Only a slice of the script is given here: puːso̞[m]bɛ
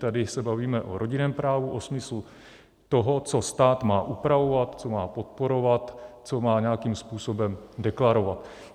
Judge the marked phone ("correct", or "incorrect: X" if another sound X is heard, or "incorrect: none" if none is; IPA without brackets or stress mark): incorrect: none